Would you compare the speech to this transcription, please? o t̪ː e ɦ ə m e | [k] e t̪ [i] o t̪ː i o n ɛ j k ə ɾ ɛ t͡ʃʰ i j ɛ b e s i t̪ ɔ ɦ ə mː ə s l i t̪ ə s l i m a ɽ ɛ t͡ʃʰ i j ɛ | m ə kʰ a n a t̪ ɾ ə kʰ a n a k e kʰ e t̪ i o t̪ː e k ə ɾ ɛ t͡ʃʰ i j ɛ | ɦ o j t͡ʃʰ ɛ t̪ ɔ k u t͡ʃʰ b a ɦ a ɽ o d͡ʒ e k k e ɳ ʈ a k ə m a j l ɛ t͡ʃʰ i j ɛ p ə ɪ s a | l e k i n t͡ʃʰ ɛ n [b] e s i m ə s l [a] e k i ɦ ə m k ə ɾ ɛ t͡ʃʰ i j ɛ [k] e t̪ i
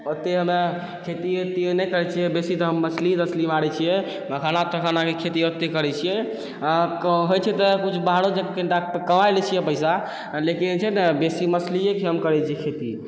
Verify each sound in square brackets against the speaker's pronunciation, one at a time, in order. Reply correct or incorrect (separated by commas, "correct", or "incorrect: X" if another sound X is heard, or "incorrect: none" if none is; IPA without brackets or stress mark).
incorrect: kʰ, correct, correct, incorrect: i, incorrect: kʰ